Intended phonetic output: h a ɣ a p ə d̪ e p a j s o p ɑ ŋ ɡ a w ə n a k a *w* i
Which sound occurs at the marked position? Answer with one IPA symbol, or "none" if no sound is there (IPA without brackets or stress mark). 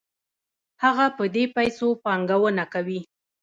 w